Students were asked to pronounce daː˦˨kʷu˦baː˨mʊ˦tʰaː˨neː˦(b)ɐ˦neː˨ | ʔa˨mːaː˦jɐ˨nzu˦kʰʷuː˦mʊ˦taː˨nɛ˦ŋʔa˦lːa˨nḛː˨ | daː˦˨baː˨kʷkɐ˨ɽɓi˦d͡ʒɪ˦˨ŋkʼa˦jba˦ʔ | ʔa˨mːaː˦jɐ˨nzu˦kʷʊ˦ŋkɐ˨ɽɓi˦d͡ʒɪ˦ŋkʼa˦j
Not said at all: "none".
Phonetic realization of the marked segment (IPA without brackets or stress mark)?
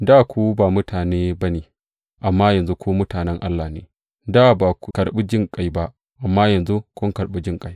b